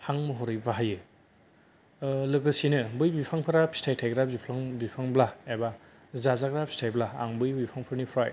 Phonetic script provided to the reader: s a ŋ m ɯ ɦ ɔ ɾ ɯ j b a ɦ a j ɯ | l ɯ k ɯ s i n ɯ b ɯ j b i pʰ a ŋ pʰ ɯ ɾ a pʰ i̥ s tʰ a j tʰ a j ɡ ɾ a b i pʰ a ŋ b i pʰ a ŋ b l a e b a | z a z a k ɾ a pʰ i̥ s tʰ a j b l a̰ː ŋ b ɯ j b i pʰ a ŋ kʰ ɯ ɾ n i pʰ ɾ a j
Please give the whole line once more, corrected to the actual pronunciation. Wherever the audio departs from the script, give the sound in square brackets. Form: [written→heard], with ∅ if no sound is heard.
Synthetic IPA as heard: [s→h] a ŋ m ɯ ɦ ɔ ɾ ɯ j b a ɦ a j ɯ | l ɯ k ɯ s i n ɯ b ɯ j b i pʰ a ŋ pʰ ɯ ɾ a pʰ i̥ s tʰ a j tʰ a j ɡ ɾ a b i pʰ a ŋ b i pʰ a ŋ b l a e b a | z a z a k ɾ a pʰ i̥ s tʰ a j b l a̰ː ŋ b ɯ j b i pʰ a ŋ [kʰ→pʰ] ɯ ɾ n i pʰ ɾ a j